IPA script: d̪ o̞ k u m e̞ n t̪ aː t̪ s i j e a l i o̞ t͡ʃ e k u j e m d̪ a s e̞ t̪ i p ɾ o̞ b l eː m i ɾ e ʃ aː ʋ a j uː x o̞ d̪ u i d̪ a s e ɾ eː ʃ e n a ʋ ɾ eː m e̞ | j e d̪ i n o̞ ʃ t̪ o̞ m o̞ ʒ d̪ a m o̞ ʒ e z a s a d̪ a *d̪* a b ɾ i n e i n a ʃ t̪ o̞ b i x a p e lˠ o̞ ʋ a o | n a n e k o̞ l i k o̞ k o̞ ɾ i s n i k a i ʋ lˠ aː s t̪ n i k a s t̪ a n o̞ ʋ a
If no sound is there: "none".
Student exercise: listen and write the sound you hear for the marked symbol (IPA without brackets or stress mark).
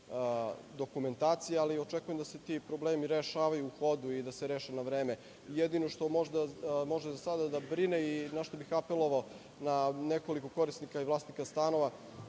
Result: d̪